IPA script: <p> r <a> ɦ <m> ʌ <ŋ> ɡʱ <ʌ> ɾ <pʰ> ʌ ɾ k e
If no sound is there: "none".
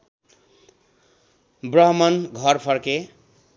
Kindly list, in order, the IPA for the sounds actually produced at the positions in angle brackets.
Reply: b, ʌ, m, n, ʌ, pʰ

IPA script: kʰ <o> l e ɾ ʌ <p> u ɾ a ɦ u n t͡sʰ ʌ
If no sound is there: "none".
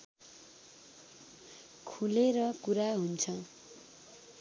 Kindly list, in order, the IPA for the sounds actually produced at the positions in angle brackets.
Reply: u, k

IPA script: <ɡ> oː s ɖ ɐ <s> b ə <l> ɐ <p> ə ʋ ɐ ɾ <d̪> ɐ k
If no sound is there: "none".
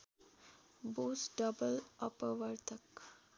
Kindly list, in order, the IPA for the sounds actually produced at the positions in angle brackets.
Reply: b, none, l, p, t̪

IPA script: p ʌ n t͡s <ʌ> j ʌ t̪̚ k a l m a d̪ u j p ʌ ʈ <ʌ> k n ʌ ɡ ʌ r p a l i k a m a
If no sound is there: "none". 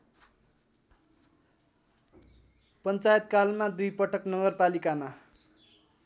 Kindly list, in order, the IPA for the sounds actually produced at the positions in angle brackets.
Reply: a, ʌ

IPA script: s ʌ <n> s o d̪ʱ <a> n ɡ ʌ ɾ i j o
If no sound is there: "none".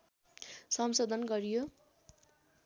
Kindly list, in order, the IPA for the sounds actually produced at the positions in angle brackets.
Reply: m, ʌ

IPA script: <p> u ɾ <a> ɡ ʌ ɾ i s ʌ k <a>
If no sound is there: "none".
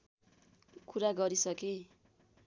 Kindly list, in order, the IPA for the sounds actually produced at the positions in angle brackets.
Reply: k, a, e

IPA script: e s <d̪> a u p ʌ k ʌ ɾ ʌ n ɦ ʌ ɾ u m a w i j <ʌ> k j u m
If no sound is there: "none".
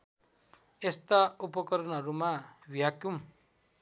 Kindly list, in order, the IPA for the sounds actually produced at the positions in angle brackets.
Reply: t̪, a

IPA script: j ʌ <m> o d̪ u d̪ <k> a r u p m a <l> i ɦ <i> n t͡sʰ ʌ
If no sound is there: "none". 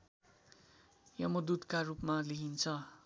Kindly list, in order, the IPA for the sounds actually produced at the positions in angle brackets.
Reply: m, k, l, i

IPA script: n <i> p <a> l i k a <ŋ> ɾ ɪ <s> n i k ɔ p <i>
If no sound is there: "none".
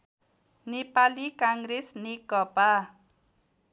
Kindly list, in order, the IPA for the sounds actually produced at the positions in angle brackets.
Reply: i, a, ŋ, s, a

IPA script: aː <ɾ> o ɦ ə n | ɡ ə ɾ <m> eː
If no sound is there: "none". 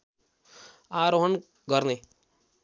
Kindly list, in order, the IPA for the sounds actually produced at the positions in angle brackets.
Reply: ɾ, n

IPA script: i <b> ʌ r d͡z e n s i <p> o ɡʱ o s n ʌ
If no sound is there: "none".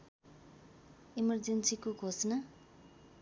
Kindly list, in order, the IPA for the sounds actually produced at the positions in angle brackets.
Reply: m, k

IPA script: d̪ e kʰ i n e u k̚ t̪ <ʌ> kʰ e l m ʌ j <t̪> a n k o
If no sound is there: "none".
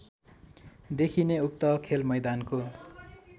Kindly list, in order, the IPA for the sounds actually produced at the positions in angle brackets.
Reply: ʌ, d̪

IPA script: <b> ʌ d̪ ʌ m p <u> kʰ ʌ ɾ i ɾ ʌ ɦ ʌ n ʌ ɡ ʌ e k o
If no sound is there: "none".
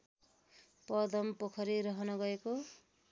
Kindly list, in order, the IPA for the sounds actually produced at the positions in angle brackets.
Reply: p, o

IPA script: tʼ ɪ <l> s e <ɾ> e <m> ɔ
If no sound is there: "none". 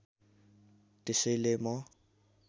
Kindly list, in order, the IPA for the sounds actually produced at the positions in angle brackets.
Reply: none, l, m

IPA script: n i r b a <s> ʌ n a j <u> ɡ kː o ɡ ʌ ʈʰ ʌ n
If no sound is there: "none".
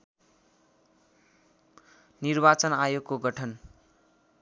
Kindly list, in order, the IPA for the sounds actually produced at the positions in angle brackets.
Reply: t͡s, o

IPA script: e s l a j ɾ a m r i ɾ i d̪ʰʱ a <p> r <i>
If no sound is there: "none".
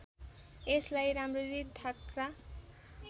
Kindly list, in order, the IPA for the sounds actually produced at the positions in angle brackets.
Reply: k, a

